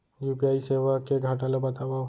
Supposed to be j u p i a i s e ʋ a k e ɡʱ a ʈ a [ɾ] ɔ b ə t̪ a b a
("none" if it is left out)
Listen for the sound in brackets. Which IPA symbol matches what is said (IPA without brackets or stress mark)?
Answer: l